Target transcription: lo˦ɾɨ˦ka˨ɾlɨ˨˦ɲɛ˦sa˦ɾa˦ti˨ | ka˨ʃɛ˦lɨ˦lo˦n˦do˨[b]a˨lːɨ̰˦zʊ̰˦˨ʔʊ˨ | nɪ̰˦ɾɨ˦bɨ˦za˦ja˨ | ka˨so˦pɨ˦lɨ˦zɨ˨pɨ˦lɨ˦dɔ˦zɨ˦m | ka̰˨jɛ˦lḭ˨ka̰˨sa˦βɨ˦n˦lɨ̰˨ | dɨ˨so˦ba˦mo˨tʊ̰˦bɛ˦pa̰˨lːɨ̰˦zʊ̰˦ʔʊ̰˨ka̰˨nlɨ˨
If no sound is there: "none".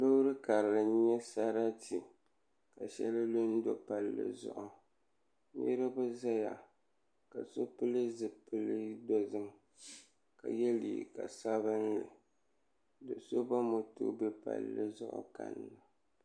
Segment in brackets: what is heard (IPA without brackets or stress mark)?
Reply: p